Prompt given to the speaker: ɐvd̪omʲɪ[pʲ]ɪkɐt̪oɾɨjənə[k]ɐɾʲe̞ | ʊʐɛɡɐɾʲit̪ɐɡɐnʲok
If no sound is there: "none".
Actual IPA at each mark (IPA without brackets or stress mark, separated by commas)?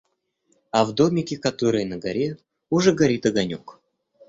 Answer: kʲ, ɡ